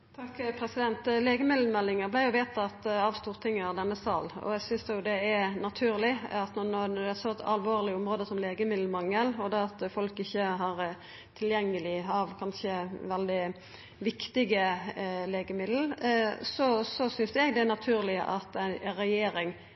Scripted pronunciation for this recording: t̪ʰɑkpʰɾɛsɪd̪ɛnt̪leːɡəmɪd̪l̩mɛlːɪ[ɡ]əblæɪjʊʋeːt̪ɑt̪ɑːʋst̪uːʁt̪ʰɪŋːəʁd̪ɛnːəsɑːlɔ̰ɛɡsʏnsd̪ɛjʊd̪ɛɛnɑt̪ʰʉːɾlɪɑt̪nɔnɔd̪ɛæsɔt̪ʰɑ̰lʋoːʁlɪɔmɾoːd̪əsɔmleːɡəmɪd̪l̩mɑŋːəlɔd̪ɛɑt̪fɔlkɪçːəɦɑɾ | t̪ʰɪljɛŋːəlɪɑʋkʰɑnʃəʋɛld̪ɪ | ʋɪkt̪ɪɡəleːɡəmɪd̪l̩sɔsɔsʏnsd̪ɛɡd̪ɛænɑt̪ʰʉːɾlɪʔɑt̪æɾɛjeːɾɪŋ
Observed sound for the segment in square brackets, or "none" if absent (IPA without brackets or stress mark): ŋ